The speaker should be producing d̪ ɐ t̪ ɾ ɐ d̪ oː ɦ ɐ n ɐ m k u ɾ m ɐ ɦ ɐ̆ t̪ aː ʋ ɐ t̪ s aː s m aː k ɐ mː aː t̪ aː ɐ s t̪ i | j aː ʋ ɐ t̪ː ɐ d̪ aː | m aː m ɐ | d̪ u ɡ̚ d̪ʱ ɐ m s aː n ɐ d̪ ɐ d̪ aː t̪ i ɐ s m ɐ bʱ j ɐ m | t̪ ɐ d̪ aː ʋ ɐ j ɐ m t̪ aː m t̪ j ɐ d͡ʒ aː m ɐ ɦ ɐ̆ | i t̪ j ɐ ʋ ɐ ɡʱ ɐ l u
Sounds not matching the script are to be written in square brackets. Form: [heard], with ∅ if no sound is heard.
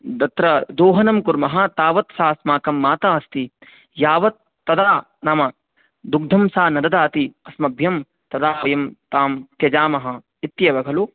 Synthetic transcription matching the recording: d̪ ɐ t̪ ɾ ɐ d̪ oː ɦ ɐ n ɐ m k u ɾ m ɐ ɦ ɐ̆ t̪ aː ʋ ɐ t̪ s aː s m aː k ɐ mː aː t̪ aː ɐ s t̪ i | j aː ʋ ɐ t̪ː ɐ d̪ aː | [n] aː m ɐ | d̪ u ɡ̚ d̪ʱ ɐ m s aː n ɐ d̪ ɐ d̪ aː t̪ i ɐ s m ɐ bʱ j ɐ m | t̪ ɐ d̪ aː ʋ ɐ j ɐ m t̪ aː m t̪ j ɐ d͡ʒ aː m ɐ ɦ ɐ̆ | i t̪ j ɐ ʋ ɐ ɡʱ ɐ l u